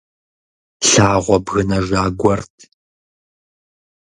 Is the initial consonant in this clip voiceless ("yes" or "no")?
yes